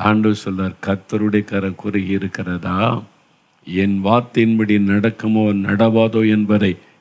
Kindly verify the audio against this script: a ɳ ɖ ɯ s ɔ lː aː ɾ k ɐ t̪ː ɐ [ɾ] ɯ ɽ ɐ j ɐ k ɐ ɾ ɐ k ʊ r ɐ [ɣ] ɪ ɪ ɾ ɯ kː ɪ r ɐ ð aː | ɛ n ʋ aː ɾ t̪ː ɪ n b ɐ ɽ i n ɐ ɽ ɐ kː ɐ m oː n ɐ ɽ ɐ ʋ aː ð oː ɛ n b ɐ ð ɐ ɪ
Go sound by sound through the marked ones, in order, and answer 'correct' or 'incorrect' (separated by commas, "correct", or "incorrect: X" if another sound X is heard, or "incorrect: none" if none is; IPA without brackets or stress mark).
correct, correct